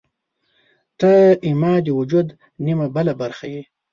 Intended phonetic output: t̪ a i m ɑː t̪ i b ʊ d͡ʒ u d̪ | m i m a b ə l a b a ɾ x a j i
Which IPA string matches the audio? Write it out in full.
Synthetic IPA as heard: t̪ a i m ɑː d̪ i w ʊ d͡ʒ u d̪ | n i m a b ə l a b a ɾ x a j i